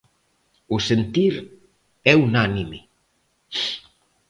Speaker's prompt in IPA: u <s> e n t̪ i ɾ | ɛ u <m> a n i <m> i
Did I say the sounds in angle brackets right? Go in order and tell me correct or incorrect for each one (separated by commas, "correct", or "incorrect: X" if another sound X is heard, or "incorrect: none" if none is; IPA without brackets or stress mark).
correct, incorrect: n, correct